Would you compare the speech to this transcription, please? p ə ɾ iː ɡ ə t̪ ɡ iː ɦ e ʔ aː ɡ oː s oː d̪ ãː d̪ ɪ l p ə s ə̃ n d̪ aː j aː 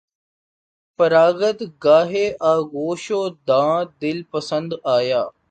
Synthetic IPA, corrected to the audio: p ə ɾ aː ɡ ə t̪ ɡ aː ɦ e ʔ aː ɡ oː ʃ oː d̪ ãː d̪ ɪ l p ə s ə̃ n d̪ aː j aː

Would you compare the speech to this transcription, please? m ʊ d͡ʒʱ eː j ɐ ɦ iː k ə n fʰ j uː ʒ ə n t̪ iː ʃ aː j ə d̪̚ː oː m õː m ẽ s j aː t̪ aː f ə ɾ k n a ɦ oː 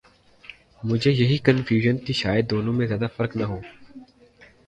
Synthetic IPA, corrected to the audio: m ʊ d͡ʒʱ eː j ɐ ɦ iː k ə n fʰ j uː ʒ ə n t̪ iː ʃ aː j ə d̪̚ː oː n õː m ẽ z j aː d̪ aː f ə ɾ k n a ɦ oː

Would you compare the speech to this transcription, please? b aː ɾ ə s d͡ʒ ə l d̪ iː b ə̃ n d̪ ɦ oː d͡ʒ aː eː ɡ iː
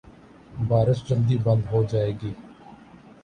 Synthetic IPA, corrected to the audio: b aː ɾ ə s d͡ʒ ə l d̪ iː b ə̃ n d̪ ɦ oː d͡ʒ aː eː ɡ iː

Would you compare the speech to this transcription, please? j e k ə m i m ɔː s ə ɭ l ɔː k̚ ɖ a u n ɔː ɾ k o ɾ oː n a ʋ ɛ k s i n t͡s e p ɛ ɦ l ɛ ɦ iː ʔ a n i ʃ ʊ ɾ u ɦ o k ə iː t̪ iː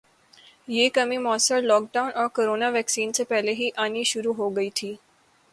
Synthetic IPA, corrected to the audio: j e k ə m i m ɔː s ə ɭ l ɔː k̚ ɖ a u n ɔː ɾ k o ɾ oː n a ʋ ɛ k s iː n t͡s e p ɛ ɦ l e ɦ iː ʔ a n i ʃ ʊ ɾ u ɦ o ɡ ə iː t̪ʰ iː

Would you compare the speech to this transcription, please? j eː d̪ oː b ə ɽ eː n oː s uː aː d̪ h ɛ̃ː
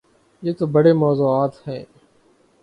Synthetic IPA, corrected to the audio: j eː t̪ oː b ə ɽ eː m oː z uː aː t̪ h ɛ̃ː

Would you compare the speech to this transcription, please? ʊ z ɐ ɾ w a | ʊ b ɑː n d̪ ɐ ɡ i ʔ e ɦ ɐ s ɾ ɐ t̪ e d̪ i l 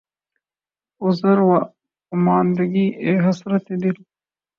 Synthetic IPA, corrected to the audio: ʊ z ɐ ɾ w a | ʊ m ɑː n d̪ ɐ ɡ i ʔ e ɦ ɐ s ɾ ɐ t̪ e d̪ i l

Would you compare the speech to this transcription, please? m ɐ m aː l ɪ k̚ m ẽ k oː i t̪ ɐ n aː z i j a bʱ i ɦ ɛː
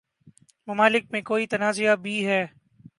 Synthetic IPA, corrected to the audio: m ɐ m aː l ɪ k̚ m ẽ k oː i t̪ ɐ n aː z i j a bʱ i ɦ ɛː

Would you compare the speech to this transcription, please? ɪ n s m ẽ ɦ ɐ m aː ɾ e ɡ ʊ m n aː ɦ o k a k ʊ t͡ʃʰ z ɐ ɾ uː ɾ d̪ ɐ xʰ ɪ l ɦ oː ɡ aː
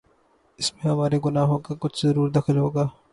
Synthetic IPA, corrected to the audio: ɪ s m ẽ ɦ ɐ m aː ɾ e ɡ ʊ n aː ɦ õ k a k ʊ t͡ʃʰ z ɐ ɾ uː ɾ d̪ ɐ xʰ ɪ l ɦ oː ɡ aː

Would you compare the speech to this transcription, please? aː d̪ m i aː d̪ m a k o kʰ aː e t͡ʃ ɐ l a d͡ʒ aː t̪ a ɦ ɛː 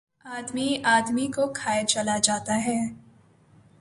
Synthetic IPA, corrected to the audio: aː d̪ m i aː d̪ m i k o kʰ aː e t͡ʃ ɐ l a d͡ʒ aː t̪ a ɦ ɛː

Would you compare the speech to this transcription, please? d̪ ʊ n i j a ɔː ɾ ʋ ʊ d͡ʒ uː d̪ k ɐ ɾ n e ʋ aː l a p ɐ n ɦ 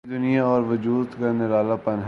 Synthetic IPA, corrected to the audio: d̪ ʊ n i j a ɔː ɾ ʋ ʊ d͡ʒ uː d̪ k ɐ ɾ n e ʋ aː l a p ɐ n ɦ

